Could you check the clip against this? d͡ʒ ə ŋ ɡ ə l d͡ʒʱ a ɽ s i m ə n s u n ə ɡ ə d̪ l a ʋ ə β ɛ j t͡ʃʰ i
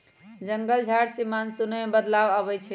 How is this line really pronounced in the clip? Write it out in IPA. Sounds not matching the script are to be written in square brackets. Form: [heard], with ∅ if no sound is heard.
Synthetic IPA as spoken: d͡ʒ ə ŋ ɡ ə l d͡ʒʱ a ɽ s i m [a] n s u n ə [b] ə d̪ l a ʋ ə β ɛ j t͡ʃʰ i